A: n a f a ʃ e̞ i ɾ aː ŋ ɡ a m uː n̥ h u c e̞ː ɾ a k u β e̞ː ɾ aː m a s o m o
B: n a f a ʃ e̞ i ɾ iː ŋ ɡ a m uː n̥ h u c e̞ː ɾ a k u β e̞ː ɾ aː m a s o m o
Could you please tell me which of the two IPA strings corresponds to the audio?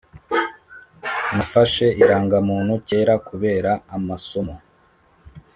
A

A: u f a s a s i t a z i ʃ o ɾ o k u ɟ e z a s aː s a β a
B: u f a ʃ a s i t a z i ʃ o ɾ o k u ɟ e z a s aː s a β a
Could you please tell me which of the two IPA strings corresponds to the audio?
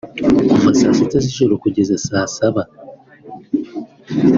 A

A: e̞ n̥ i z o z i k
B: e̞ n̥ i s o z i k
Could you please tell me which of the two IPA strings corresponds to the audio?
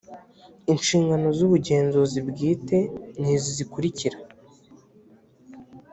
A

